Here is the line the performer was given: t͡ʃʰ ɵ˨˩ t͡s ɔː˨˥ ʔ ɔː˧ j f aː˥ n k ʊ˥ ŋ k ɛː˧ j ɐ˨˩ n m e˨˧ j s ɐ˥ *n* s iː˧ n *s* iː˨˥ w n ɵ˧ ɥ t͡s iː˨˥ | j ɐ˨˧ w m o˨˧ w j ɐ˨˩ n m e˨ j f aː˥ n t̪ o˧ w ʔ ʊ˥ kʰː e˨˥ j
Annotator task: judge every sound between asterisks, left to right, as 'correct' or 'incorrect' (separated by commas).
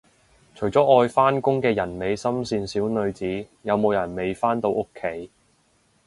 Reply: incorrect, correct